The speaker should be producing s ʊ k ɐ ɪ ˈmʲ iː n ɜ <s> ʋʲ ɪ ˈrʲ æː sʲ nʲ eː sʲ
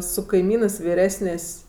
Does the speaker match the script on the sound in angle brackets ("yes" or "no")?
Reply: yes